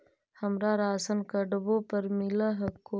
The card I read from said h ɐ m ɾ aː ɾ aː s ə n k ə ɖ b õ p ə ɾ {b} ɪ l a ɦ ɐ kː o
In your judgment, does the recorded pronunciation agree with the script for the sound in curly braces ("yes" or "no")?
no